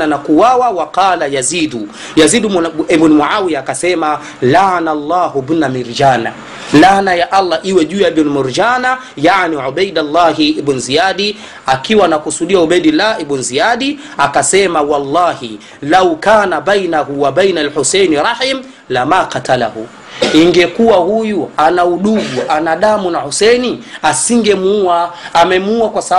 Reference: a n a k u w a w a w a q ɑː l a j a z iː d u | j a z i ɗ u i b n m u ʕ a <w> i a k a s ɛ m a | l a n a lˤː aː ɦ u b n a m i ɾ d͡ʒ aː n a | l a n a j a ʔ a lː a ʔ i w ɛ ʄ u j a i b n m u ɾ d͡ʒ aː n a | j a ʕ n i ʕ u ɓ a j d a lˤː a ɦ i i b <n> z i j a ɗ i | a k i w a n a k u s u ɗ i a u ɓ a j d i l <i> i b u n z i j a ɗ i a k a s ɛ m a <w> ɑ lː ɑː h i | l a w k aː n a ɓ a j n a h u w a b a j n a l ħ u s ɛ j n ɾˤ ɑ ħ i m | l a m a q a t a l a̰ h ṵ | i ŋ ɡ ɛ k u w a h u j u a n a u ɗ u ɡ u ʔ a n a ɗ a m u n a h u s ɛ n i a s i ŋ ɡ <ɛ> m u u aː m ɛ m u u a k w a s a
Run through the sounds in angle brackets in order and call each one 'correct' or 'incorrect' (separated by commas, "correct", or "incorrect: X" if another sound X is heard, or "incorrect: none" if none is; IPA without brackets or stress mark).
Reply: correct, correct, incorrect: a, correct, correct